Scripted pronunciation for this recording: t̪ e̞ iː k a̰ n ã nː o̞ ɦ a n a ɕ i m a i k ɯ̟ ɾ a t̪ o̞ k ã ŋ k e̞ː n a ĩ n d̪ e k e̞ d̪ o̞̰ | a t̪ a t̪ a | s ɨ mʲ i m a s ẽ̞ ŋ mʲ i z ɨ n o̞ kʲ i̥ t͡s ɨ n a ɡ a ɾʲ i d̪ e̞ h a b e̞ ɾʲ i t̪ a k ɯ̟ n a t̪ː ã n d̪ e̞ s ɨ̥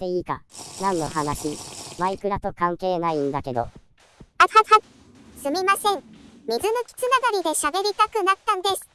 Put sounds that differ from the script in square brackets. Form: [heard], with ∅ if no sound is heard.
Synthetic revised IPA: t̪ e̞ iː k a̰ n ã nː o̞ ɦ a n a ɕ i m a i k ɯ̟ ɾ a t̪ o̞ k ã ŋ k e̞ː n a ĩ n d̪ [a] k e̞ d̪ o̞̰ | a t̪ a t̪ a | s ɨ mʲ i m a s ẽ̞ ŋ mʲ i z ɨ n o̞ kʲ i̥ t͡s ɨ n a ɡ a ɾʲ i d̪ e̞ [ɕ] a b e̞ ɾʲ i t̪ a k ɯ̟ n a t̪ː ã n d̪ e̞ s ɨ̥